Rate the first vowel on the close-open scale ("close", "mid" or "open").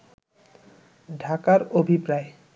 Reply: open